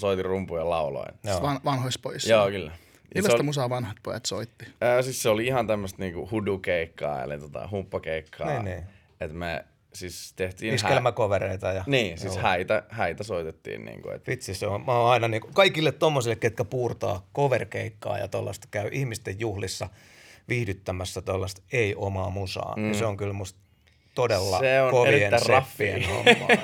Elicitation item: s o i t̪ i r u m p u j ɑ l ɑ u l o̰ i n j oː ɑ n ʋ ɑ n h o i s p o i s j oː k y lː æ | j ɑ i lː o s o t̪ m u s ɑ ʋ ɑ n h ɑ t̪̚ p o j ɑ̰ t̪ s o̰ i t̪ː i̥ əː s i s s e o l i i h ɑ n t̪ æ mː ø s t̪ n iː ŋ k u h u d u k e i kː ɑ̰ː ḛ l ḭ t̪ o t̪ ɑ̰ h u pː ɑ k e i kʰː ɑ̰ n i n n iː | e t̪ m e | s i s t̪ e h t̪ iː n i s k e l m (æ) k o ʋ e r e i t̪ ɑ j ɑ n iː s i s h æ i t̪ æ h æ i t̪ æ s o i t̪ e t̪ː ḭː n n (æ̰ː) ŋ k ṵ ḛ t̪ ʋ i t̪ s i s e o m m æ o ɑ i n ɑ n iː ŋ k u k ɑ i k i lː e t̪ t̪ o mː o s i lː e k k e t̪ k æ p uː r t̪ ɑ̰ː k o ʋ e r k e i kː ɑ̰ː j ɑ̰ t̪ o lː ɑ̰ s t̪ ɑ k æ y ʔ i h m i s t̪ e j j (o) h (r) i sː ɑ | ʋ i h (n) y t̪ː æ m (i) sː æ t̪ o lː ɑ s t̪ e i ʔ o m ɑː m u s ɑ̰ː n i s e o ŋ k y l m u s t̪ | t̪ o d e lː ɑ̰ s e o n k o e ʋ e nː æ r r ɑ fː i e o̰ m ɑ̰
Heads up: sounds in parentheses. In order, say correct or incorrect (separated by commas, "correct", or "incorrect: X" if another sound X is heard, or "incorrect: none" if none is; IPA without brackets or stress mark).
correct, incorrect: ḭː, incorrect: u, incorrect: l, incorrect: d, incorrect: æ